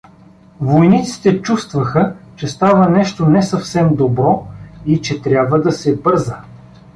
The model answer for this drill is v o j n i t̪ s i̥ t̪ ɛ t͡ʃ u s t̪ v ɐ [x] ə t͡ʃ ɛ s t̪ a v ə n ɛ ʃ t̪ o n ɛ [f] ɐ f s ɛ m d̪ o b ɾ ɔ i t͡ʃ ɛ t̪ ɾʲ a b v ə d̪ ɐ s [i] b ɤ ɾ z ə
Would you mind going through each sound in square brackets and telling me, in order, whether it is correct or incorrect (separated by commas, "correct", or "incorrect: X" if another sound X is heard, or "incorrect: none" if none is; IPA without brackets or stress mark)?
correct, incorrect: s, incorrect: ɛ